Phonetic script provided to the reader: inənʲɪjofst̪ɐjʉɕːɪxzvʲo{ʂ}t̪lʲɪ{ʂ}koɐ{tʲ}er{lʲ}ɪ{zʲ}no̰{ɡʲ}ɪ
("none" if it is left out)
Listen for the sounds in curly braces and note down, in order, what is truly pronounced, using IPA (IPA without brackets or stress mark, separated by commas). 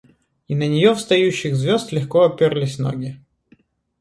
s, x, pʲ, lʲ, sʲ, ɡʲ